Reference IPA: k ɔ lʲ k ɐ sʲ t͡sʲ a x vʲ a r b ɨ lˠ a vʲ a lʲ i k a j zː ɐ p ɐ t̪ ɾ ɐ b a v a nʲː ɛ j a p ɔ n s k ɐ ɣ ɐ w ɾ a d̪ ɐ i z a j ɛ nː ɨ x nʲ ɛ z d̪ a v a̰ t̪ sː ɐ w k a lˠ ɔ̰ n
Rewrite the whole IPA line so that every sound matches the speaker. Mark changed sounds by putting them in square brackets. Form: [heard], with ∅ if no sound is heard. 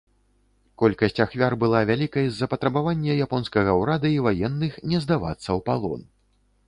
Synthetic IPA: k ɔ lʲ k ɐ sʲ t͡sʲ a x vʲ a r b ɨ lˠ a vʲ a lʲ i k [ɐ] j zː ɐ p ɐ t̪ ɾ ɐ b a v a nʲː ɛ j a p ɔ n s k ɐ ɣ ɐ w ɾ a d̪ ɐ i [v] a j ɛ nː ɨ x nʲ ɛ z d̪ a v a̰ t̪ sː ɐ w [p] a lˠ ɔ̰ n